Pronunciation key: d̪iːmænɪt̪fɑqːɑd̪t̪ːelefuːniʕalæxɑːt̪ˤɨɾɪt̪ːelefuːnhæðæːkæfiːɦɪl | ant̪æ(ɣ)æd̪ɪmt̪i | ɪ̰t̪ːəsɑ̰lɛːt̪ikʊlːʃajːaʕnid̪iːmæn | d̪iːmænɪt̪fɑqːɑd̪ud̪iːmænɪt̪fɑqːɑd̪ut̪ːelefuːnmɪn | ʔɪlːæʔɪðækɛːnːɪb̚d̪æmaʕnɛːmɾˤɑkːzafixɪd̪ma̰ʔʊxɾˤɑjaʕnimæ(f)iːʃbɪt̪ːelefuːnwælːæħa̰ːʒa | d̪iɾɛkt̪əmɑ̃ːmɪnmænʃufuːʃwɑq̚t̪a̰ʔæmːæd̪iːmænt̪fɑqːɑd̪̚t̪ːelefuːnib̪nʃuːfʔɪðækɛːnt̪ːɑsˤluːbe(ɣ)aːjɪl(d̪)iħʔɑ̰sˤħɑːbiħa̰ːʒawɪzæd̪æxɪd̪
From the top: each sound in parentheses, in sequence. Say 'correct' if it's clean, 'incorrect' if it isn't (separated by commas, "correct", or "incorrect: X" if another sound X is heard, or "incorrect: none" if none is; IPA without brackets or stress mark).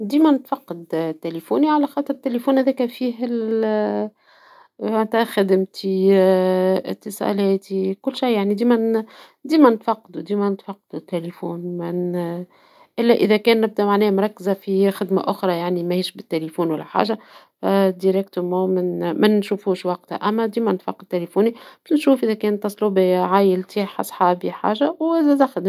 incorrect: x, incorrect: h, incorrect: ʕ, incorrect: t̪